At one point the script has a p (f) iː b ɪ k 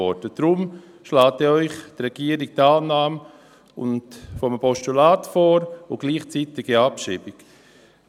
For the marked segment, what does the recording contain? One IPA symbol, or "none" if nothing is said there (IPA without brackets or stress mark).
ʃ